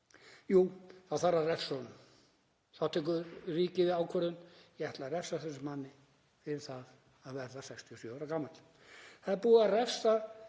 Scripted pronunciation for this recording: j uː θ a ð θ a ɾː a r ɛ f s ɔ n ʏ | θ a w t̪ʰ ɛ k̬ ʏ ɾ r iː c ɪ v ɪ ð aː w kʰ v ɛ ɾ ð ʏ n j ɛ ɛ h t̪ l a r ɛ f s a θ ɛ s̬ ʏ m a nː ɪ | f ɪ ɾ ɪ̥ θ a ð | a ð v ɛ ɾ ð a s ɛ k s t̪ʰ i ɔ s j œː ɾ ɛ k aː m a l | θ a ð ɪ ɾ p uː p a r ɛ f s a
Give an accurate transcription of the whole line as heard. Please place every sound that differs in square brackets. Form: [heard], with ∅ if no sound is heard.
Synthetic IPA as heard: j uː θ a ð θ a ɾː a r ɛ f s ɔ n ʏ | θ a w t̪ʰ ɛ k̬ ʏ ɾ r iː c ɪ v ɪ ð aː w kʰ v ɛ ɾ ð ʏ n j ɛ ɛ h t̪ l a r ɛ f s a θ ɛ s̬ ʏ m a nː ɪ | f ɪ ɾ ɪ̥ θ a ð | a ð v ɛ ɾ ð a s ɛ k s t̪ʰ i ɔ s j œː ɾ [a] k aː m a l | θ a ð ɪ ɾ p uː [∅] a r ɛ f s a

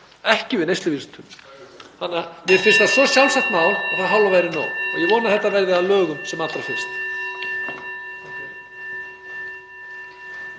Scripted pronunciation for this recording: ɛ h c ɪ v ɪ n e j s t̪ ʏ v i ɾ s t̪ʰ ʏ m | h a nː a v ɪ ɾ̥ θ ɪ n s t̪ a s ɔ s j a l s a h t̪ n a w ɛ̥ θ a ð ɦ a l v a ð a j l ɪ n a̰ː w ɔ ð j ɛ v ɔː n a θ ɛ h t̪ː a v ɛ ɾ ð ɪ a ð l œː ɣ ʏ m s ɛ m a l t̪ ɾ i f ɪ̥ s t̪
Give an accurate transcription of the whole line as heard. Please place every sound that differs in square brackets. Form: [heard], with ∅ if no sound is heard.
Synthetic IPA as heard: ɛ h c ɪ v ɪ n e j s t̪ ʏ v i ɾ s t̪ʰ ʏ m | h a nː a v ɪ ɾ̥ [f] ɪ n s t̪ a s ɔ s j a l s a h t̪ n a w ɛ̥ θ a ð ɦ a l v a [v] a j [ɾ] ɪ n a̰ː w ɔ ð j ɛ v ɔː n a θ ɛ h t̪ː a v ɛ ɾ ð ɪ a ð l œː ɣ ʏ m s ɛ m a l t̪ ɾ [a] f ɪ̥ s t̪

